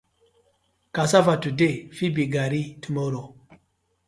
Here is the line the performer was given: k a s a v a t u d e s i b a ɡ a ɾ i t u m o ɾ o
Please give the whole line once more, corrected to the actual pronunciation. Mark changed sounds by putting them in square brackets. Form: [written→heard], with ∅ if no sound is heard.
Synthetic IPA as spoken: k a s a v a t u d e [s→f] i b [a→i] ɡ a ɾ i t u m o ɾ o